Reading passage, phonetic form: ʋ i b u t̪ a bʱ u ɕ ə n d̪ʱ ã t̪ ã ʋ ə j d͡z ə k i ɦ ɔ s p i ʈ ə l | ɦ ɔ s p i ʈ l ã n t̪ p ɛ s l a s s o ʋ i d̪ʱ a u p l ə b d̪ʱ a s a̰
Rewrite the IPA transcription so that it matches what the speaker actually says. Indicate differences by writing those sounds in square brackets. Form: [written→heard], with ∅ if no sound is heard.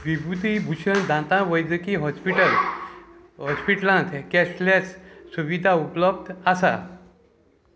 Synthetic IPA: ʋ i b u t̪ [a→i] bʱ u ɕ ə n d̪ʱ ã t̪ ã ʋ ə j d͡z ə k i ɦ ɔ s p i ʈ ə l | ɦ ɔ s p i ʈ l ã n t̪ [p→k] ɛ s l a [s→t͡s] s [o→u] ʋ i d̪ʱ a u p l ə b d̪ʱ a s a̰